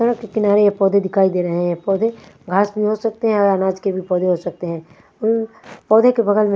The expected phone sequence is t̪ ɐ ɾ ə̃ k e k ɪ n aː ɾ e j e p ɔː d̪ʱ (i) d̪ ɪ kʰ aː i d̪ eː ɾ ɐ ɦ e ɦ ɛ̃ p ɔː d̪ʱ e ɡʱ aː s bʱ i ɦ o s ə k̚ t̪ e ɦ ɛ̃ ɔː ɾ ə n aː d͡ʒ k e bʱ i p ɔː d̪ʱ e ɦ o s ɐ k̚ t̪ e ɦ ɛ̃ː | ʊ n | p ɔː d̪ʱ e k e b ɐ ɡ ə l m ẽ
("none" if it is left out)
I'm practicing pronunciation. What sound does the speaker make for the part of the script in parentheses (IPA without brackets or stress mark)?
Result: e